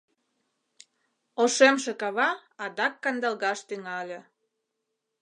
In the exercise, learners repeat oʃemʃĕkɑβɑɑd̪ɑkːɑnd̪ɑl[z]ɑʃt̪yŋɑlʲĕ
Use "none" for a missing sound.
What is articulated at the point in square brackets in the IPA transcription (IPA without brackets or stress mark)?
ɣ